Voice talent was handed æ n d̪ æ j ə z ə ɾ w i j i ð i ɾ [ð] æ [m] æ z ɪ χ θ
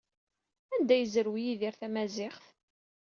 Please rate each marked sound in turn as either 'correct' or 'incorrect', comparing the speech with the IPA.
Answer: incorrect: θ, correct

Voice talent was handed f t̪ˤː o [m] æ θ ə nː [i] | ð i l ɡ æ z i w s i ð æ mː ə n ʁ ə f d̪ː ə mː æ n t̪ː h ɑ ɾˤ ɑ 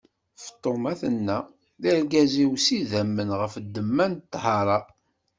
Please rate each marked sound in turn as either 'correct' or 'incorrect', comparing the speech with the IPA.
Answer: correct, incorrect: æ

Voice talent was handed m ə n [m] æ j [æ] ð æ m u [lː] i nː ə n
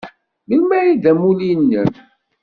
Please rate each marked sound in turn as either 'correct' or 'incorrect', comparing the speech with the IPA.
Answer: correct, incorrect: i, incorrect: l

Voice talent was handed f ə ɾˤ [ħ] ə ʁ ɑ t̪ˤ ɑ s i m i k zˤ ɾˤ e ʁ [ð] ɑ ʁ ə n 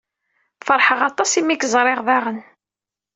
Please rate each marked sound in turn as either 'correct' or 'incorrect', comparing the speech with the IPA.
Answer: correct, correct

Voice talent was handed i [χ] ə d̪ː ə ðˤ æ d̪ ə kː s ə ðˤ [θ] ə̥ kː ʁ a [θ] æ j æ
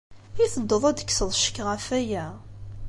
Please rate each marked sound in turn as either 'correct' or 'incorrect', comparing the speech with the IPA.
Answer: incorrect: θ, incorrect: ʃ, incorrect: f

